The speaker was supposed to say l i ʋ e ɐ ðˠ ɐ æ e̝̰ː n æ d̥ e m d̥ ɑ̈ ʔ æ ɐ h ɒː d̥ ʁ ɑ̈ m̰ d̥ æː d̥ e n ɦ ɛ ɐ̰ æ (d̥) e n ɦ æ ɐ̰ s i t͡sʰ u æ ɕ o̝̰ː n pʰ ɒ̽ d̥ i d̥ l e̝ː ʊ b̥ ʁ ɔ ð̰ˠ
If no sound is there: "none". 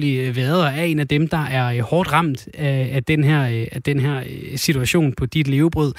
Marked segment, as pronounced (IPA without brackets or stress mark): d̥